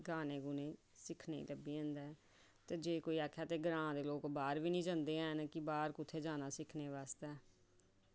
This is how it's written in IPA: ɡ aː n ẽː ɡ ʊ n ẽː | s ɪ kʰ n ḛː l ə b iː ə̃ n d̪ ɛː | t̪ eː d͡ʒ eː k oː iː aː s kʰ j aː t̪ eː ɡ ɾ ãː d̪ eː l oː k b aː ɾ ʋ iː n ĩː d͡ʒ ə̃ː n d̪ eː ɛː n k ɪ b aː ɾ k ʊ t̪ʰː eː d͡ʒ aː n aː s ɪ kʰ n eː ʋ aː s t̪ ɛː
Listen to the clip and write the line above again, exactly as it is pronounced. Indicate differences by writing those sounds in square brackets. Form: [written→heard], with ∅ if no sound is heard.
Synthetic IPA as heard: ɡ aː n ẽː ɡ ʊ n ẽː | s ɪ kʰ n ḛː l ə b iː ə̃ n d̪ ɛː | t̪ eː d͡ʒ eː k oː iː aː [s→∅] kʰ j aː t̪ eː ɡ ɾ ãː d̪ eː l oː k b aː ɾ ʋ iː n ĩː d͡ʒ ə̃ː n d̪ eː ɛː n k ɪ b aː ɾ k ʊ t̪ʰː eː d͡ʒ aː n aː s ɪ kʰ n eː ʋ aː s t̪ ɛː